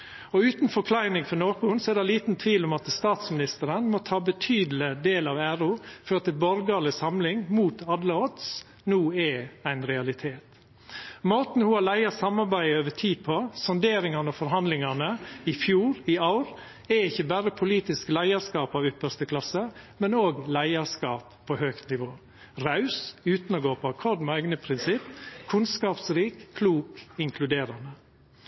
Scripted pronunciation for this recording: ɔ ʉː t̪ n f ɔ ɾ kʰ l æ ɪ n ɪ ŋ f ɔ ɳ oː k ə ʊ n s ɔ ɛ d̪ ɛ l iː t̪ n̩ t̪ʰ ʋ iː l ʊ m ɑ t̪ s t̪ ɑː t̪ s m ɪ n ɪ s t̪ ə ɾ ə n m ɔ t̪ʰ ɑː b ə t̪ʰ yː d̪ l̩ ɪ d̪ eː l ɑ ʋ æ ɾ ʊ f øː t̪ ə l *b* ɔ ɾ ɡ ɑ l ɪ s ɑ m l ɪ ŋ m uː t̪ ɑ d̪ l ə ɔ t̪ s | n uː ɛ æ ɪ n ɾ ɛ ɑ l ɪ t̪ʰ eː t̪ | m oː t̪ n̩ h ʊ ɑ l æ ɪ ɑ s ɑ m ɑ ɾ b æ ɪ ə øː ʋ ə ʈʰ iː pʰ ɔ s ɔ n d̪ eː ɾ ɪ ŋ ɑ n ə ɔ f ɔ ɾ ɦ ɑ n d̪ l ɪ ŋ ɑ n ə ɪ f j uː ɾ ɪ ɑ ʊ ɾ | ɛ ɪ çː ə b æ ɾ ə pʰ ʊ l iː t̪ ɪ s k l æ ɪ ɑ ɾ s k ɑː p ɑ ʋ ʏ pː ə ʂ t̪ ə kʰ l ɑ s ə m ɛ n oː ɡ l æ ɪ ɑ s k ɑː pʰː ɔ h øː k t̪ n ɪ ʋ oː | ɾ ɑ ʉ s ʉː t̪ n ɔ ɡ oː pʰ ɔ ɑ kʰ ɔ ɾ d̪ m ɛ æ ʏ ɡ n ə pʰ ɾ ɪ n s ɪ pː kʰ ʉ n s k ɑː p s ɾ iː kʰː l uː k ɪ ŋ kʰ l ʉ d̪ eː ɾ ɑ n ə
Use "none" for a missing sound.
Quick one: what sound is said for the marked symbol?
b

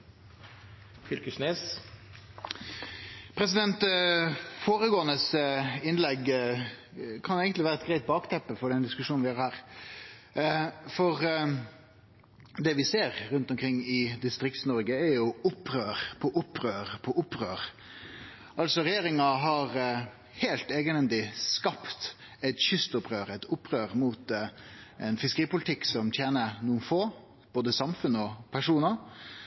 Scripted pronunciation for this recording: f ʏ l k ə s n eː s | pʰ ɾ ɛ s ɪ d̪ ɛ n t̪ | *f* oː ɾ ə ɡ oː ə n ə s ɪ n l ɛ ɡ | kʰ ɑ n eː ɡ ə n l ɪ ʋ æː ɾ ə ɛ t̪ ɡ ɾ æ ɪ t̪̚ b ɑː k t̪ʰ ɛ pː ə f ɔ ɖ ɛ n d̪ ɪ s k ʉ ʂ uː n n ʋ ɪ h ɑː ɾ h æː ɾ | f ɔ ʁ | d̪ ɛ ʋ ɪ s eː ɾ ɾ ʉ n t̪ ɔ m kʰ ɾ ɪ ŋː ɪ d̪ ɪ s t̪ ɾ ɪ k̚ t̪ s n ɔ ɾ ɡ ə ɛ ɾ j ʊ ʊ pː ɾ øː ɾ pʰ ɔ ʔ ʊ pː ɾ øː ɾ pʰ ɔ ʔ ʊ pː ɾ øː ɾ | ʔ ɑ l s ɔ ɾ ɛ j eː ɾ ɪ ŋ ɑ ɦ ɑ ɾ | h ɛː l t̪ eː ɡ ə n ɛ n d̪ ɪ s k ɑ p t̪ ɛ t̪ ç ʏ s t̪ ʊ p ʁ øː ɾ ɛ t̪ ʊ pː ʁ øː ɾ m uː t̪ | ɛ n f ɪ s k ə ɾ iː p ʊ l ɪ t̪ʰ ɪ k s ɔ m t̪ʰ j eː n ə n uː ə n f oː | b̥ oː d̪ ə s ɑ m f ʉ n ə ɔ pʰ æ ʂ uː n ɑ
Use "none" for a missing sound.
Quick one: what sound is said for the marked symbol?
f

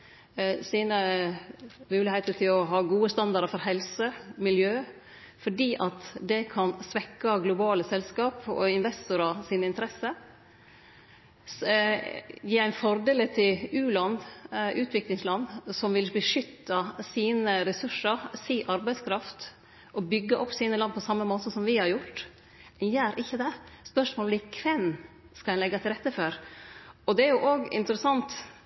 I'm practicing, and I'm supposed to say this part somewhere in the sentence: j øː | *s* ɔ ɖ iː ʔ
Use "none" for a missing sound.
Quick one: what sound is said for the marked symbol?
f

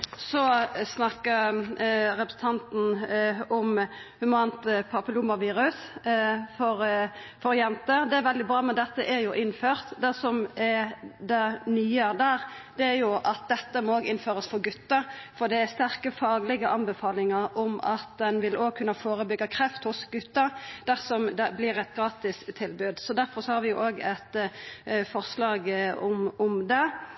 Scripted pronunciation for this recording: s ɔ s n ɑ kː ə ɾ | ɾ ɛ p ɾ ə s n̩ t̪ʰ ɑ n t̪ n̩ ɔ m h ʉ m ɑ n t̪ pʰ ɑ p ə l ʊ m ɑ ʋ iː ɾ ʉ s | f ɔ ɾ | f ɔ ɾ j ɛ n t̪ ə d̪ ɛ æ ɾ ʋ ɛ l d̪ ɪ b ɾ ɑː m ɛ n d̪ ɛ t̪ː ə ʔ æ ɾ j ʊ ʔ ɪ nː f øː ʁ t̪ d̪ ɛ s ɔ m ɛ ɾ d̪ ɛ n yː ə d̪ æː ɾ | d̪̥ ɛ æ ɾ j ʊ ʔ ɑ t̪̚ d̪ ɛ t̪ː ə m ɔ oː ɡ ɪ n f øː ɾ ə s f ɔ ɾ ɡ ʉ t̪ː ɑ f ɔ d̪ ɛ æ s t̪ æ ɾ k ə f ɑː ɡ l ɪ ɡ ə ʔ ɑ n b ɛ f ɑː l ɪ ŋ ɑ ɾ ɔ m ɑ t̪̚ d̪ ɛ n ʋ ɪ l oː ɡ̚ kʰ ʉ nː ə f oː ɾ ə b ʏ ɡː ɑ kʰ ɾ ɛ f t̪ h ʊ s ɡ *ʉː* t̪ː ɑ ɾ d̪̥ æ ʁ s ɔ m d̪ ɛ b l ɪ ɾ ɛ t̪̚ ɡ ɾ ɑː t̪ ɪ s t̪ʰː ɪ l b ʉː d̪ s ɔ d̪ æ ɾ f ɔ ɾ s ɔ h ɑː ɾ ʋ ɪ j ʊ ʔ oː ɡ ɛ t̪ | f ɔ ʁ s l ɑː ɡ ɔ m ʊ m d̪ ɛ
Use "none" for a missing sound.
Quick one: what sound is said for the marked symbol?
ʉ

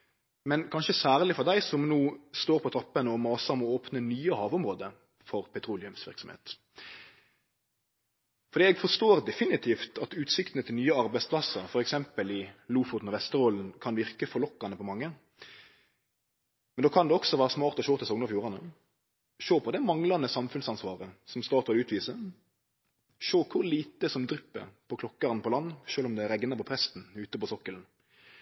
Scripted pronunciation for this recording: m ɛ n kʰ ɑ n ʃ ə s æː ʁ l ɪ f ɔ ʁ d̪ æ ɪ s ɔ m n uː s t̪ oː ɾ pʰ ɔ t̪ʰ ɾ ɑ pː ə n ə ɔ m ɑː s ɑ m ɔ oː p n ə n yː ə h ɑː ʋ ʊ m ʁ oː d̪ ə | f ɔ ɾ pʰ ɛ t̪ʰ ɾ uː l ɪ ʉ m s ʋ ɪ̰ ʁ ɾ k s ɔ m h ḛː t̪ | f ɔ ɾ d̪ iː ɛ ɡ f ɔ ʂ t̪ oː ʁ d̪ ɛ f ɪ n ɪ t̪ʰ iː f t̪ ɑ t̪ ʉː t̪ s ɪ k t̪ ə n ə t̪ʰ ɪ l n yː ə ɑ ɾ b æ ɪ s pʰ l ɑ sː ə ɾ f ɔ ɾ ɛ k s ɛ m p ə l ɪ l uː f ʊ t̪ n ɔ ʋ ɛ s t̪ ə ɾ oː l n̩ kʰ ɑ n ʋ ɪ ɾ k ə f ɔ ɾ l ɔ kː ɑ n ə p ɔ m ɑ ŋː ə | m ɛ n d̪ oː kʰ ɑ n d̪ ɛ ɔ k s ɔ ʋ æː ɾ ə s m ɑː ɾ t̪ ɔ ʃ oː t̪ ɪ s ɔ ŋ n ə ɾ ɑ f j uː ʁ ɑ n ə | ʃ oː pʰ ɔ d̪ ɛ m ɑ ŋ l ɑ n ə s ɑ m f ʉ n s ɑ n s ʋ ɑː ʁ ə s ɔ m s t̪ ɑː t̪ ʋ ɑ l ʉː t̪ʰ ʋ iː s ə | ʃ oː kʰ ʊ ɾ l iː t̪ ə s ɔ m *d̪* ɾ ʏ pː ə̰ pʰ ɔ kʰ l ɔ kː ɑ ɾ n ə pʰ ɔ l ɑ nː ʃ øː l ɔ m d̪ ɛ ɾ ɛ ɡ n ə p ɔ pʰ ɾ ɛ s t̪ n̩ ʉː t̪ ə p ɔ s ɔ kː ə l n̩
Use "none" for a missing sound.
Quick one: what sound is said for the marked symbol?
d̪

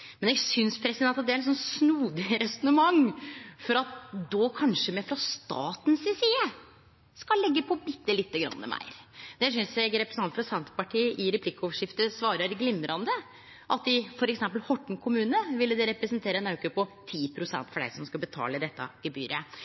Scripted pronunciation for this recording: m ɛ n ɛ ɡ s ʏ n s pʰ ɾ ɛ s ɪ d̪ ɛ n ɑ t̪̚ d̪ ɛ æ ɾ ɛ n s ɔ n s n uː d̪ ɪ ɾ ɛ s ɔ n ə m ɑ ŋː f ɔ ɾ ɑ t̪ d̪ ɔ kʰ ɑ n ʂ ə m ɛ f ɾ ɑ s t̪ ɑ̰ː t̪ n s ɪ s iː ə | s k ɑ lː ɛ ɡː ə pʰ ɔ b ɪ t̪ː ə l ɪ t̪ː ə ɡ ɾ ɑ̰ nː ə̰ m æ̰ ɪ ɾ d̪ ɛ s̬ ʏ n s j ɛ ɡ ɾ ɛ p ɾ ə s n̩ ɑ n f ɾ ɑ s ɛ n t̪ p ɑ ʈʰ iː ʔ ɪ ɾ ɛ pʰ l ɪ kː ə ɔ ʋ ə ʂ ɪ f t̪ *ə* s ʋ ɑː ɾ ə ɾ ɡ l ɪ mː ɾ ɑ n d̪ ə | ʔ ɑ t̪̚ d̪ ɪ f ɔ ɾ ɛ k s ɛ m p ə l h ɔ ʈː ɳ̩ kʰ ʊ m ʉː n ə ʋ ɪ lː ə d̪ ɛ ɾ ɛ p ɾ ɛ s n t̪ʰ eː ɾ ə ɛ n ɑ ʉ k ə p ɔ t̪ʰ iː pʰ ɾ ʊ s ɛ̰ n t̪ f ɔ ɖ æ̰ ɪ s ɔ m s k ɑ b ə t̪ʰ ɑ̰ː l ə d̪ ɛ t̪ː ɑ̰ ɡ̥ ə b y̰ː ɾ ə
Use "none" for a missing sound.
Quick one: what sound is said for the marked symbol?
ə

